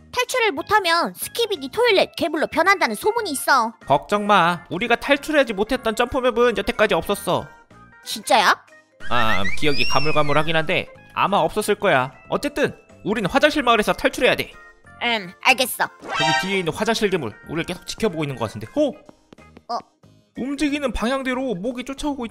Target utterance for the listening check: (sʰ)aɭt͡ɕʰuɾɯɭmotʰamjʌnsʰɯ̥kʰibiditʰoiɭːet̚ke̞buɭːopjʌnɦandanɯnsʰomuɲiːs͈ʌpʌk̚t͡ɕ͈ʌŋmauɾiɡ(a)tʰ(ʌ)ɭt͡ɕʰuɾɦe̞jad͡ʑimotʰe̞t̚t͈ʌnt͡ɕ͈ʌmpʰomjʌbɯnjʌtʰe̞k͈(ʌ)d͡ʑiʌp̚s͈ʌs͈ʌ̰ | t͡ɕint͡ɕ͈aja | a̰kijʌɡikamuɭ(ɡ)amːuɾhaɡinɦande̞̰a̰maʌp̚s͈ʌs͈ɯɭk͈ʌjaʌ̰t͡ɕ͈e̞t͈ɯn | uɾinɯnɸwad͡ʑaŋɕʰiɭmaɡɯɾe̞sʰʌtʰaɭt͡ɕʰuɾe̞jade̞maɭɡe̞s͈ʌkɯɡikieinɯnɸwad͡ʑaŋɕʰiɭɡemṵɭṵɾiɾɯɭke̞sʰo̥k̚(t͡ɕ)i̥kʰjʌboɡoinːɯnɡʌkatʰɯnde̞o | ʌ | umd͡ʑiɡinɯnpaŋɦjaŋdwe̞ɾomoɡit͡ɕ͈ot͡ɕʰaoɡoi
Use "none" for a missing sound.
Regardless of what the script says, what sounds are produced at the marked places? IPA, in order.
tʰ, a, a, a, ɡ, t͡ɕ

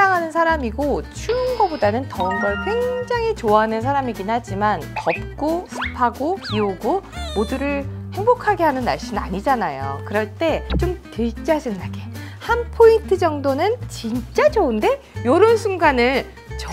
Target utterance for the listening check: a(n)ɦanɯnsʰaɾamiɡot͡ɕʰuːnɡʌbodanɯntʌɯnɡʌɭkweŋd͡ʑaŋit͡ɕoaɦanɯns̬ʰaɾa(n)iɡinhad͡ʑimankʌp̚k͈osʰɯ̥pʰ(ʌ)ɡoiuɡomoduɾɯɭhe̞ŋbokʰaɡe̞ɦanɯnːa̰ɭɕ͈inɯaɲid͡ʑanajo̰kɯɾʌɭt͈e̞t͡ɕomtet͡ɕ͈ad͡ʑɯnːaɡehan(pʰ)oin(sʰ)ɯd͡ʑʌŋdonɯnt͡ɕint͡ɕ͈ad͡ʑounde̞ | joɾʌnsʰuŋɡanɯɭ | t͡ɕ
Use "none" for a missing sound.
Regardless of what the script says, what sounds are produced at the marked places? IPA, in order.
ŋ, m, a, pʰ, tʰ

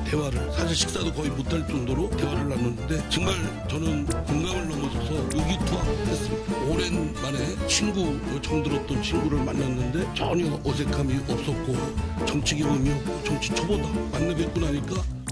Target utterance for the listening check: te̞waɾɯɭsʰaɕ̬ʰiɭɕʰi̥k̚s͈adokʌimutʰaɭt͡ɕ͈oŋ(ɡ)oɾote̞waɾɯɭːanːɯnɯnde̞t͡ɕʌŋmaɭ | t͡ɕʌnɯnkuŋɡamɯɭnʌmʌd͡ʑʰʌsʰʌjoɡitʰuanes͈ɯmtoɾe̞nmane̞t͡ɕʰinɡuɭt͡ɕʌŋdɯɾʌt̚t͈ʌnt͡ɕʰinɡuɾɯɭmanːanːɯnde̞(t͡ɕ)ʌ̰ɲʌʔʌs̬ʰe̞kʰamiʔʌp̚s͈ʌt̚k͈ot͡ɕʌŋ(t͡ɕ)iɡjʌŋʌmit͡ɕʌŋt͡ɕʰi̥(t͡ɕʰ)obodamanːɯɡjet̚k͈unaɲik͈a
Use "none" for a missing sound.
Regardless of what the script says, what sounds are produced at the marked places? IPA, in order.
d, t͡ɕ, t͡ɕʰ, t͡ɕʰ

